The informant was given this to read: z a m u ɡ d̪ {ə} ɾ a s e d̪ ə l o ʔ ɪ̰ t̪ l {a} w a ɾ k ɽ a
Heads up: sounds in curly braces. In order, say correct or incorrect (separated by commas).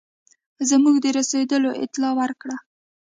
correct, incorrect